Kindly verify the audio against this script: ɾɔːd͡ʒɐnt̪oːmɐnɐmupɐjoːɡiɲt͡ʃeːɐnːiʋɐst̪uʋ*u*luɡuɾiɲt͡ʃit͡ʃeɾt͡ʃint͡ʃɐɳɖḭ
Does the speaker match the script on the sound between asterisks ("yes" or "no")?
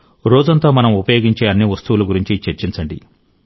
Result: yes